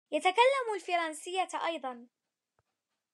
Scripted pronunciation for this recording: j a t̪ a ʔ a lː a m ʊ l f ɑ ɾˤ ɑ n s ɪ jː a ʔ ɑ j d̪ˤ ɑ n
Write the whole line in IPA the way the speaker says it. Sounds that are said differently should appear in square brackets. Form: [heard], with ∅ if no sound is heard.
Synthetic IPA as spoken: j a t̪ a [k] a lː a m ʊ l f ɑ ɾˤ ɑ n s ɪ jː a ʔ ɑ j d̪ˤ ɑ n